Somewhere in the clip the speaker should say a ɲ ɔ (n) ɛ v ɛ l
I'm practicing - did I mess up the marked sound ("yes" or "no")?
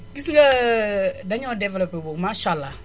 yes